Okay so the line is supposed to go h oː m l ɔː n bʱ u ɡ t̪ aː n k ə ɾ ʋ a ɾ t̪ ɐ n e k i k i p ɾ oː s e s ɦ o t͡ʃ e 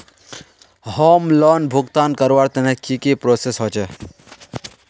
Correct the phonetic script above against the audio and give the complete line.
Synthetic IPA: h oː m l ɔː n bʱ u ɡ t̪ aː n k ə ɾ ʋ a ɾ t̪ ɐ n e k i k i p ɾ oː s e s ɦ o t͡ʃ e

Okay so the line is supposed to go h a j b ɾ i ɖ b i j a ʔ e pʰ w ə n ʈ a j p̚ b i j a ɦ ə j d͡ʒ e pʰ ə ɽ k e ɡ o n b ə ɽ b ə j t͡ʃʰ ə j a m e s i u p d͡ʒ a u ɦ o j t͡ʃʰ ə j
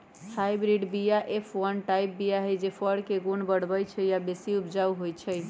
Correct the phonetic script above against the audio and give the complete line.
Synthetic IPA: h a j b ɾ i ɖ b i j a ʔ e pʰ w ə n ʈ a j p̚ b i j a ɦ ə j d͡ʒ e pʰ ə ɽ k e ɡ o n b ə ɽ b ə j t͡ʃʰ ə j a b e s i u p d͡ʒ a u ɦ o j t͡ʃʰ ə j

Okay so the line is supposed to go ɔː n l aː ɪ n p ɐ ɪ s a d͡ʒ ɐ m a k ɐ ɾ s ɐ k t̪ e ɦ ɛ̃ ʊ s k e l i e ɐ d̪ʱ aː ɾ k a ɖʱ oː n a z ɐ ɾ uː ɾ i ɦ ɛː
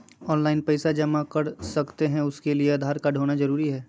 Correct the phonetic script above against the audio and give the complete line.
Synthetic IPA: ɔː n l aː ɪ n p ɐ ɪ s a d͡ʒ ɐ m a k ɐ ɾ s ɐ k t̪ e ɦ ɛ̃ ʊ s k e l i e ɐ d̪ʱ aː ɾ k a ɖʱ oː n a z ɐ ɾ uː ɾ i ɦ ɛː

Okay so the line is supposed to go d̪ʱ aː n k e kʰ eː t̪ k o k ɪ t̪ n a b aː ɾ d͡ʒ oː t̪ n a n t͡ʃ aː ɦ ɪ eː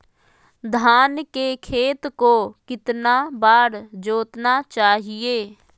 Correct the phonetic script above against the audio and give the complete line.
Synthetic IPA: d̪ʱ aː n k e kʰ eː t̪ k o k ɪ t̪ n a b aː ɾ d͡ʒ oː t̪ n a t͡ʃ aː ɦ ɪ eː

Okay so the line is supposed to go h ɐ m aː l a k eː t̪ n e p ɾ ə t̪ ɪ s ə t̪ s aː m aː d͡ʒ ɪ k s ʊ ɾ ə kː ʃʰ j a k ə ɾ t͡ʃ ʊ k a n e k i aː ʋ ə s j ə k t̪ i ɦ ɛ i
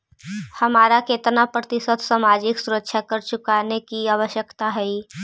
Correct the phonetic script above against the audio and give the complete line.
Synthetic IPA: h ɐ m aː ɾ a k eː t̪ n a p ɾ ə t̪ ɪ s ə t̪ s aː m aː d͡ʒ ɪ k s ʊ ɾ ə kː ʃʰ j a k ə ɾ t͡ʃ ʊ k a n e k i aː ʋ ə ʃ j ə k t̪ a ɦ ɛ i

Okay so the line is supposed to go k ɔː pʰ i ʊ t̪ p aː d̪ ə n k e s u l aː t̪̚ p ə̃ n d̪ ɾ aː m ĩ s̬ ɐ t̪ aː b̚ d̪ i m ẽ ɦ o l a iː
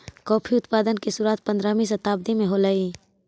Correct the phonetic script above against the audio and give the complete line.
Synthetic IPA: k ɔː pʰ i ʊ t̪ p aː d̪ ə n k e s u ɾ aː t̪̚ p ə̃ n d̪ ɾ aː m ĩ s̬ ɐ t̪ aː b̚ d̪ i m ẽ ɦ o l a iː

